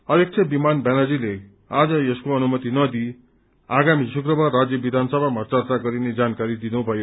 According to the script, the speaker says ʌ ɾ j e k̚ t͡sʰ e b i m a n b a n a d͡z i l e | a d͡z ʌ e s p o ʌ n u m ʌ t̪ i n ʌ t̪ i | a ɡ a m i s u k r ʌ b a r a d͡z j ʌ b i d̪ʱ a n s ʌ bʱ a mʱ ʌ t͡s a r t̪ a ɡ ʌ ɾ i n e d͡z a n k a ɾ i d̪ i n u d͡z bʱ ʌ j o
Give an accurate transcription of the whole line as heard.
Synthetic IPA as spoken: ʌ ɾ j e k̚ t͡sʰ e b i m a n b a n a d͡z i l e | a d͡z ʌ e s k o ʌ n u m ʌ t̪ i n ʌ d̪ i | a ɡ a m i s u k r ʌ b a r a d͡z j ʌ b i d̪ʱ a n s ʌ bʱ a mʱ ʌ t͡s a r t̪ a ɡ ʌ ɾ i n e d͡z a n k a ɾ i d̪ i n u bʱ ʌ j o